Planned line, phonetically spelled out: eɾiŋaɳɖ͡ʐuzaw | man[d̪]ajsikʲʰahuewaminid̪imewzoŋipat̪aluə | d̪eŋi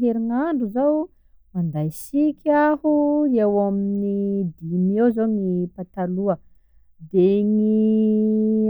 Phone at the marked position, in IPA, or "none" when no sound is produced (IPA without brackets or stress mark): d̪